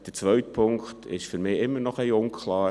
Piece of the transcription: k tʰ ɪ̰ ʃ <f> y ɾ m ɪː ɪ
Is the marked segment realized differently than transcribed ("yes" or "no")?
no